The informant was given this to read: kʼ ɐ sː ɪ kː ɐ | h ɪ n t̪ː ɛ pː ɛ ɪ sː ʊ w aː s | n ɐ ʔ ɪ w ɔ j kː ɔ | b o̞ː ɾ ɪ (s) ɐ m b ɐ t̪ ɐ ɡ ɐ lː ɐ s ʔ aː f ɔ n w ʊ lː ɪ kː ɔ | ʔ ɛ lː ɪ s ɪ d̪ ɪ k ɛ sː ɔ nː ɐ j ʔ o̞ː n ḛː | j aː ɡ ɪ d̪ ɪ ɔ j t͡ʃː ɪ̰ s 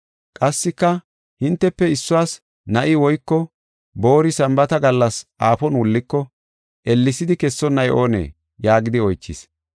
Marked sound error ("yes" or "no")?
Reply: no